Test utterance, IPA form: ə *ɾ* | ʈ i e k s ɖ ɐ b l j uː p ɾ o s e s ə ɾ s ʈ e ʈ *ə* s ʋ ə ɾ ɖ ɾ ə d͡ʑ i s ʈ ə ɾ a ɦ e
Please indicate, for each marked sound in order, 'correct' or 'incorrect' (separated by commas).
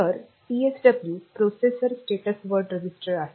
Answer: correct, correct